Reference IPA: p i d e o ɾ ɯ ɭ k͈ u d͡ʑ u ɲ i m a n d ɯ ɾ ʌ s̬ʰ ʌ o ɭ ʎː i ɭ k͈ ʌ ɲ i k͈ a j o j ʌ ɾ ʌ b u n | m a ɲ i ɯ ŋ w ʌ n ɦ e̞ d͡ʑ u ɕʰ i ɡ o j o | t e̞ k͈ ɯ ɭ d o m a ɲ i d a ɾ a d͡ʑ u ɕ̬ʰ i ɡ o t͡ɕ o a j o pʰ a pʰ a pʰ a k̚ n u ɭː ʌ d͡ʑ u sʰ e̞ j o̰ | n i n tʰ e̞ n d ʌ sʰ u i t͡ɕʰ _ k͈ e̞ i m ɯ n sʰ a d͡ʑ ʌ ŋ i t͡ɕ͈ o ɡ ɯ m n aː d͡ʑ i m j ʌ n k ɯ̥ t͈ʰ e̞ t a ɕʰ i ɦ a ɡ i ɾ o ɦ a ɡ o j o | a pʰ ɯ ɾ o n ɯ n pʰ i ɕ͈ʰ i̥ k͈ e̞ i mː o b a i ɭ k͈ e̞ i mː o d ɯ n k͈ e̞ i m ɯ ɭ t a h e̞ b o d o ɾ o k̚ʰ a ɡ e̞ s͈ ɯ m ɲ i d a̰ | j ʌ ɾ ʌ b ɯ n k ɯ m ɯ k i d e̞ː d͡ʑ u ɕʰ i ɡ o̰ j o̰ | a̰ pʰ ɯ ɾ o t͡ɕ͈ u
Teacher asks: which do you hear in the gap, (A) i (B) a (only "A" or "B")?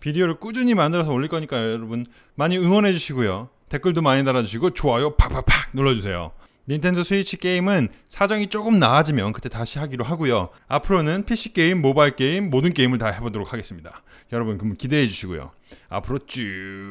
A